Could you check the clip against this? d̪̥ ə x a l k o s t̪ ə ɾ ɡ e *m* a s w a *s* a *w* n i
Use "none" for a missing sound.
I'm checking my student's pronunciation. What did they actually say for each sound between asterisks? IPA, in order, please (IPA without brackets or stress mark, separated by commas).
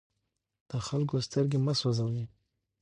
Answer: m, z, w